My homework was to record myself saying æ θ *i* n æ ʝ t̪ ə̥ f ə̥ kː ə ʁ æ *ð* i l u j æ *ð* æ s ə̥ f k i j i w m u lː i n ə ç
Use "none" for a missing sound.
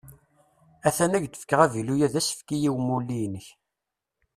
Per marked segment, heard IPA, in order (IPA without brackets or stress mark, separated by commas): æ, v, ð